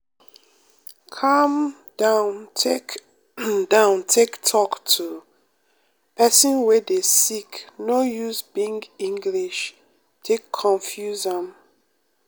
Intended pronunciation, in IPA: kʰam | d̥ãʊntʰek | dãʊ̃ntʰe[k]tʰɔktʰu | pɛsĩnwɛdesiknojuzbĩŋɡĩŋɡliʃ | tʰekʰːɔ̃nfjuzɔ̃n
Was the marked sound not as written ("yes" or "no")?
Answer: no